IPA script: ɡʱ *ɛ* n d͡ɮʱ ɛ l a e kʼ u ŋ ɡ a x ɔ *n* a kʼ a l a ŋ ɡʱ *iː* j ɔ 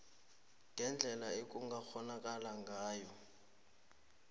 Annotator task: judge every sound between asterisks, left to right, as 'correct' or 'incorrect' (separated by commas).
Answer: correct, correct, incorrect